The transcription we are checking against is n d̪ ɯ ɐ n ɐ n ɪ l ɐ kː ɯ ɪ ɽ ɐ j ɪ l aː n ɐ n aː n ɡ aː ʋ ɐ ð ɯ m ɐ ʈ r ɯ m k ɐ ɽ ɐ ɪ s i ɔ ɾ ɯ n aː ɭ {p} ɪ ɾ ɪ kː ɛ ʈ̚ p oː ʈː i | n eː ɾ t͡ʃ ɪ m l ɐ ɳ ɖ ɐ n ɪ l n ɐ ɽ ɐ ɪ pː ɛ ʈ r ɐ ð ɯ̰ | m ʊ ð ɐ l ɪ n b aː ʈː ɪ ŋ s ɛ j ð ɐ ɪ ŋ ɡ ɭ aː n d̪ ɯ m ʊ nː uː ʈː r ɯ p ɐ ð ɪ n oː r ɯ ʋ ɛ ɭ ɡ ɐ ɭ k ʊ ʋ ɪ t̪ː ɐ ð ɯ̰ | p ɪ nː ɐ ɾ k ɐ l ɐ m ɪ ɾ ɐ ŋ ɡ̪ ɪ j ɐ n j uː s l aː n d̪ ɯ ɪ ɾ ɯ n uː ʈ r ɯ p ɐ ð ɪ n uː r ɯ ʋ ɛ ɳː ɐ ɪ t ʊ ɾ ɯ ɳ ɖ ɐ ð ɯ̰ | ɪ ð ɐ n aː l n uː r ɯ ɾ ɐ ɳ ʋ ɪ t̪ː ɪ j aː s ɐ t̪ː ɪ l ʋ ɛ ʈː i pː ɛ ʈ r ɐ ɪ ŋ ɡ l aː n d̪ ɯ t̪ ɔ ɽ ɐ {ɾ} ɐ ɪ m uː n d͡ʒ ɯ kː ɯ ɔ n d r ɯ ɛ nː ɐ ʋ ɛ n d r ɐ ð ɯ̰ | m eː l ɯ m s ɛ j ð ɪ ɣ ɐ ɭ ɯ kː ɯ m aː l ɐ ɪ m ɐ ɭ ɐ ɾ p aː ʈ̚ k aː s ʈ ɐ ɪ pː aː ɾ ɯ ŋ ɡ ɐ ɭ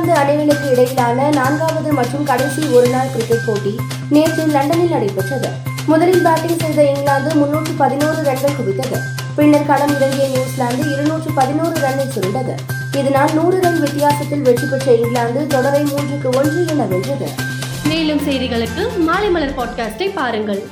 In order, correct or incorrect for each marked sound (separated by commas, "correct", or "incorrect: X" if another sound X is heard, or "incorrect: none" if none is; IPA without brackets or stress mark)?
incorrect: k, correct